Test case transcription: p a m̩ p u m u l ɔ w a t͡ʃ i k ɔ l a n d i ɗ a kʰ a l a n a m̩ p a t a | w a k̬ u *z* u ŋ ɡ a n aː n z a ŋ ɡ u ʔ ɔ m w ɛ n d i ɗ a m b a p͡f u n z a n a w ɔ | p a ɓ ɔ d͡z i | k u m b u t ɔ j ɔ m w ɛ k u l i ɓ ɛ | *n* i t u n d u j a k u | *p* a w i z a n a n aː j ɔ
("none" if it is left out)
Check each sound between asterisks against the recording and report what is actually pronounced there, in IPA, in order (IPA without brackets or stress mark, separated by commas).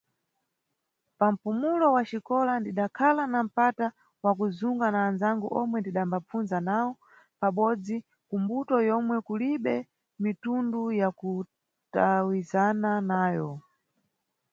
z, m, t